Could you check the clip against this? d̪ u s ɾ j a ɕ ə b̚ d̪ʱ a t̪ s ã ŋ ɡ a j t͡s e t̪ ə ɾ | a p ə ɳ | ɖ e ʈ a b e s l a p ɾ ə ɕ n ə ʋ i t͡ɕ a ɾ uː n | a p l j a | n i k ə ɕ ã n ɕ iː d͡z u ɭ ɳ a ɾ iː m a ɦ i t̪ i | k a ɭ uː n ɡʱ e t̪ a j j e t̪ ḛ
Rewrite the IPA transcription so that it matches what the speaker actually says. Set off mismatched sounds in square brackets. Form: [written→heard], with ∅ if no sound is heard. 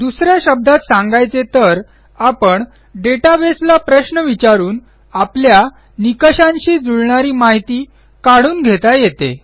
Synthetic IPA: d̪ u s ɾ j a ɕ ə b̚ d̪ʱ a t̪ s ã ŋ ɡ a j t͡s e t̪ ə ɾ | a p ə ɳ | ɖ e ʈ a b e s l a p ɾ ə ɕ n ə ʋ i t͡ɕ a ɾ uː n | a p l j a | n i k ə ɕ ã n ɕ iː d͡z u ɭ ɳ a ɾ iː m a ɦ i t̪ [i→iː] | k a [ɭ→ɽ] uː n ɡʱ e t̪ a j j e t̪ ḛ